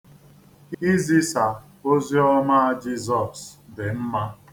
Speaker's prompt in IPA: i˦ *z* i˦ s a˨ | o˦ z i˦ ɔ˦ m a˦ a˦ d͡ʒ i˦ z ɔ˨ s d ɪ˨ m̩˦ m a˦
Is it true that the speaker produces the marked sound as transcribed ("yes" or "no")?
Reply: yes